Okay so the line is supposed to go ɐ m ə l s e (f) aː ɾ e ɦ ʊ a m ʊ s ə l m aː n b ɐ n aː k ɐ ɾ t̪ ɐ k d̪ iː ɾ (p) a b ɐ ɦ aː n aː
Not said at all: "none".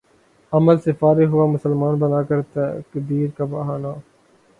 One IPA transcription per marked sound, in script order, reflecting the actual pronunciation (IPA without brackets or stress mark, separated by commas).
f, k